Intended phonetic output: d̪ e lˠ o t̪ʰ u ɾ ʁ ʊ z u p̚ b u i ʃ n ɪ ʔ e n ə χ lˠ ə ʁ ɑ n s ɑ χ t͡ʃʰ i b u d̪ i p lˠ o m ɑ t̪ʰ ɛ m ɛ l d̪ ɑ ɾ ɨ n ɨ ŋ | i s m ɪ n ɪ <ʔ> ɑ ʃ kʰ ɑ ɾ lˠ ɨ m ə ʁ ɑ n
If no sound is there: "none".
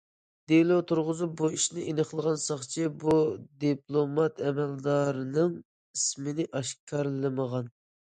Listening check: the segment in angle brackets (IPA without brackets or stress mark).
ʔ